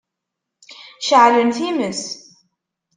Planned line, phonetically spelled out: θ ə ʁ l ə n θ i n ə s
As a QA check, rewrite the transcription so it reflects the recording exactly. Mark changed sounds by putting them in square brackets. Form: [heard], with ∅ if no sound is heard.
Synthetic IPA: [ʃ] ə [ʕ] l ə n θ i [m] ə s

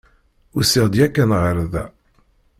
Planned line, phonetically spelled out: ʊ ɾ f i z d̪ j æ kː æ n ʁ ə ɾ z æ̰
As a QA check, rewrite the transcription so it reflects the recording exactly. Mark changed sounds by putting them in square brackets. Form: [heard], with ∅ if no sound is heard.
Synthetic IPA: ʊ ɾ [s] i [ʁ] d̪ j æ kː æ n ʁ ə ɾ [ð] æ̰

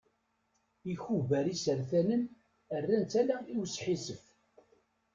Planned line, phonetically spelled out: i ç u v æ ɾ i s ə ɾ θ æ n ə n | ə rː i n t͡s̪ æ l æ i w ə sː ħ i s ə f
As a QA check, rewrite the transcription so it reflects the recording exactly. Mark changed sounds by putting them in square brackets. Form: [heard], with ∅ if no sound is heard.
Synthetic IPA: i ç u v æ ɾ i s ə ɾ θ æ n ə n | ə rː [æ] n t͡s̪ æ l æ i w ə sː ħ i s ə f

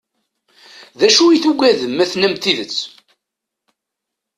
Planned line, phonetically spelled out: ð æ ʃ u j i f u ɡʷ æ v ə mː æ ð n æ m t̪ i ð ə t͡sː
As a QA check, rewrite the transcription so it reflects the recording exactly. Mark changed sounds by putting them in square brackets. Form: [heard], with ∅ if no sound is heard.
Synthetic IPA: ð æ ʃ u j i [θ] u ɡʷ æ [ð] ə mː æ [θ] n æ m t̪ i ð ə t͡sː

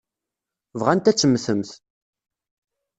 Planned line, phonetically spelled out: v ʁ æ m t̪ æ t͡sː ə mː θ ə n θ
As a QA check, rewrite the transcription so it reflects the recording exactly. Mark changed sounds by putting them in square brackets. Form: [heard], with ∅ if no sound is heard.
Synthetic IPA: v ʁ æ [n] t̪ æ t͡sː ə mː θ ə [m] θ

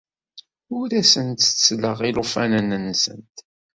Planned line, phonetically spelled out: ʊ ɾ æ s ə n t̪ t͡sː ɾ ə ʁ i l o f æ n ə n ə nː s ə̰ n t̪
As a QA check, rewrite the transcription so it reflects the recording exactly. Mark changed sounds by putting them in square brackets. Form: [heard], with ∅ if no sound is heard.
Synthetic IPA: ʊ ɾ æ s ə n t̪ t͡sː [l] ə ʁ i l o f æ n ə n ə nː s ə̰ n t̪

